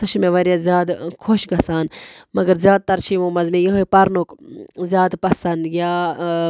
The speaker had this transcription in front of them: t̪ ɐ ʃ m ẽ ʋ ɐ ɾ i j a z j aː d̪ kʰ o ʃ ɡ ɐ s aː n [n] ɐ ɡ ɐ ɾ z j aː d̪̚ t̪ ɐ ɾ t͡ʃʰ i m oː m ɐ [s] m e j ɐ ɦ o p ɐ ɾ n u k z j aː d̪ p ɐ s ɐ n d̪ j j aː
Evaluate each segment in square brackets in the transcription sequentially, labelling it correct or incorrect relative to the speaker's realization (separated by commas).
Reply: incorrect, incorrect